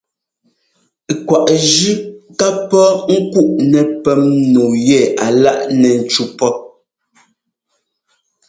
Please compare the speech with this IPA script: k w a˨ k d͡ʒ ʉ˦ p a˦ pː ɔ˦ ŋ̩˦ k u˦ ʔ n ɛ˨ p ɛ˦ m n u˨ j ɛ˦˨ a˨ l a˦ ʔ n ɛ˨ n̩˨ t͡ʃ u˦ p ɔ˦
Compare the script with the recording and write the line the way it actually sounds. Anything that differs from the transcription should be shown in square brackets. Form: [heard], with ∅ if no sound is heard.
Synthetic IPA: k w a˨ [ʔ] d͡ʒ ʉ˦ [k] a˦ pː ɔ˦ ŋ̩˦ k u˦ ʔ n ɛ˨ p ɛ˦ m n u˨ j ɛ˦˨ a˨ l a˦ ʔ n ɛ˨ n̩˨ t͡ʃ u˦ p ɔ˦